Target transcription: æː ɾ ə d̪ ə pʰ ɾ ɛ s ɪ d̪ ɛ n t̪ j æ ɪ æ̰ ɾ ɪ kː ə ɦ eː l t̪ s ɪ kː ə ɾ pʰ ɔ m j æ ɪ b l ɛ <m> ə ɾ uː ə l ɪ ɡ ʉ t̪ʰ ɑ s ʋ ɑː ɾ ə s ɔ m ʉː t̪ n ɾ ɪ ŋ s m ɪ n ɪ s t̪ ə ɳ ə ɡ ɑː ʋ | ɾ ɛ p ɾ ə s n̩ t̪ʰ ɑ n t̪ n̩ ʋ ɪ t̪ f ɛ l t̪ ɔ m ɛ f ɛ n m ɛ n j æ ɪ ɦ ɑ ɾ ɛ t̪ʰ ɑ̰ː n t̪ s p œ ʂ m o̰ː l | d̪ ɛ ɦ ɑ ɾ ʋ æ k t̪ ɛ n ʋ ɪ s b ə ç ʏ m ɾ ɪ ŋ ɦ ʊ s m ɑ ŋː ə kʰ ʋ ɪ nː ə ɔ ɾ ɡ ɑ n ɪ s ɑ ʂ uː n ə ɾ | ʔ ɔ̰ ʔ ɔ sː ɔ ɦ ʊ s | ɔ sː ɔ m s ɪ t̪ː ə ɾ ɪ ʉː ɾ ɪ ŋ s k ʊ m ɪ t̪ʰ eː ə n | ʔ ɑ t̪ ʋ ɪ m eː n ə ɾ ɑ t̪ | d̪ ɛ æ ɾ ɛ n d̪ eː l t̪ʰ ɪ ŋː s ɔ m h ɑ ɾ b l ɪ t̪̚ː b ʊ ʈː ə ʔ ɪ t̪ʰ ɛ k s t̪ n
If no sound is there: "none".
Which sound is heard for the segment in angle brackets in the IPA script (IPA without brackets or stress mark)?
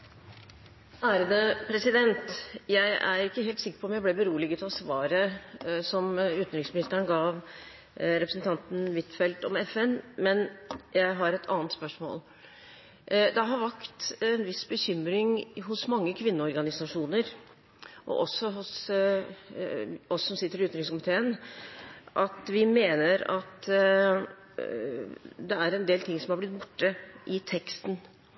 b